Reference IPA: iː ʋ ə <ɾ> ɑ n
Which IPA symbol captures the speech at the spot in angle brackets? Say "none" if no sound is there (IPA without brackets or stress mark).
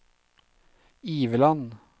l